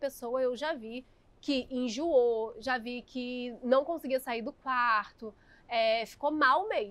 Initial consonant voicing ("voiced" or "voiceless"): voiceless